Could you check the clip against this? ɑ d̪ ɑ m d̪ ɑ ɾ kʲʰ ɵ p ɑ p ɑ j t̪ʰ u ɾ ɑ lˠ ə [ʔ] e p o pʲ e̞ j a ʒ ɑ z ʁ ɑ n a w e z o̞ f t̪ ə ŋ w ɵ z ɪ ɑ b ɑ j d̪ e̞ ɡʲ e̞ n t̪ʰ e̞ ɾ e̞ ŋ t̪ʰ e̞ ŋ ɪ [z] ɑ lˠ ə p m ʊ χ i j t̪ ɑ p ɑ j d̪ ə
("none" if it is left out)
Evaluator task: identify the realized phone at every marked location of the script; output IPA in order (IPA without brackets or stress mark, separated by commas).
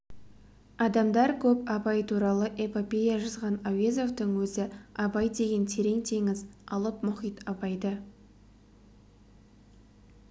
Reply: ʔ, z